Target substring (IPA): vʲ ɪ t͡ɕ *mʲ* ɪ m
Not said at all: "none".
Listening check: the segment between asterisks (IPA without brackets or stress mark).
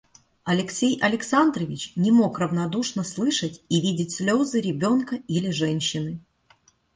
nʲ